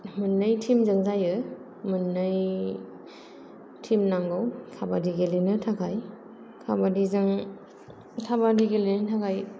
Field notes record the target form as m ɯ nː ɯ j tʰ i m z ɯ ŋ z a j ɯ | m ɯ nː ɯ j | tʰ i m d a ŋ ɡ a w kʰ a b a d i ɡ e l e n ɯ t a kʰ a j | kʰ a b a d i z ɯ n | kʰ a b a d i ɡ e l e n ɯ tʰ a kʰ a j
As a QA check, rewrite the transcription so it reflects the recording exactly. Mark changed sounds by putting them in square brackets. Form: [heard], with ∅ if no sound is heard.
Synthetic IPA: m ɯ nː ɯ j tʰ i m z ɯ ŋ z a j ɯ | m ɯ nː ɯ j | tʰ i m [n] a ŋ ɡ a w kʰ a b a d i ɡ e l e n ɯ [tʰ] a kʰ a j | kʰ a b a d i z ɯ [ŋ] | [tʰ] a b a d i ɡ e l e n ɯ tʰ a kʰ a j